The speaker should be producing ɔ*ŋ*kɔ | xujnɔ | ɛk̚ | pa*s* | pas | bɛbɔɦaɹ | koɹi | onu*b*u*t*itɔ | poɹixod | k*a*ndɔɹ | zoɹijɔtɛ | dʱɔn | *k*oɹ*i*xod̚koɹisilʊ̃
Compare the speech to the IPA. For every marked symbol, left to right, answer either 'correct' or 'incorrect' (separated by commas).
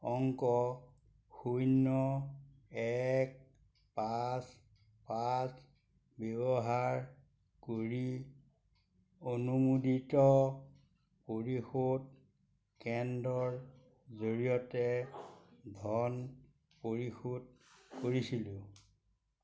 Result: correct, correct, incorrect, incorrect, incorrect, incorrect, correct